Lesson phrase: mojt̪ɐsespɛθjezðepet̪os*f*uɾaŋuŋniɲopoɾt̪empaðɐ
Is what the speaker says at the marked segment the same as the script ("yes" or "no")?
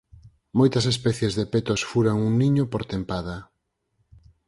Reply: yes